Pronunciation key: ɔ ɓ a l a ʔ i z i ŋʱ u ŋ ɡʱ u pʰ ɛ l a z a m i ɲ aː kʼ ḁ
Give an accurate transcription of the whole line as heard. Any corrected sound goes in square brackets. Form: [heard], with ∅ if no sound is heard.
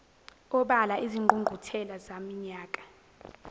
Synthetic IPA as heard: ɔ ɓ a l a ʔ i z i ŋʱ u ŋ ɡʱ u [tʰ] ɛ l a z a m i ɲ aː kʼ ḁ